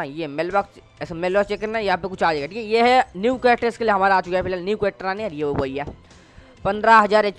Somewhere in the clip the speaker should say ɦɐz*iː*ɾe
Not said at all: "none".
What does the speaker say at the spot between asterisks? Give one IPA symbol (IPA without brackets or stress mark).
aː